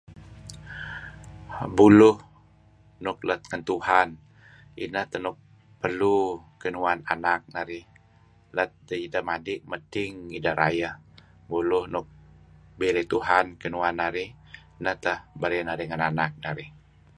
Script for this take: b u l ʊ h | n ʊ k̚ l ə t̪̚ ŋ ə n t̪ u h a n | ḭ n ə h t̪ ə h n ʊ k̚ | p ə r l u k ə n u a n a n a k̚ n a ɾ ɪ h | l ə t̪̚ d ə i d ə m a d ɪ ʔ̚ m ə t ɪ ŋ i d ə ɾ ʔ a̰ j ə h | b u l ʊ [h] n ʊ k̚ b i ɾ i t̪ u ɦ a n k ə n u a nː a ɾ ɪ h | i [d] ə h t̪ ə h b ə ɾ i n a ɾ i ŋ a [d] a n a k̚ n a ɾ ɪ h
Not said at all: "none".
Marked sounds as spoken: h, n, n

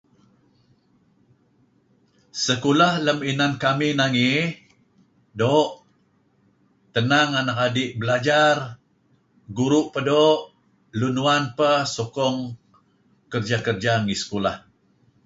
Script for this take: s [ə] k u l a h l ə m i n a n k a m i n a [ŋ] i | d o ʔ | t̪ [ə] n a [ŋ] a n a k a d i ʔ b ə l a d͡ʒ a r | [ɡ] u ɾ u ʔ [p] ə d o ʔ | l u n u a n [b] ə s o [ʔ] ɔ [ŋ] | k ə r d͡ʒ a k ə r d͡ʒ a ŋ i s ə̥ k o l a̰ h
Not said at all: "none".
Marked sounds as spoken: ə, ŋ, ə, ŋ, ɡ, p, p, k, ŋ

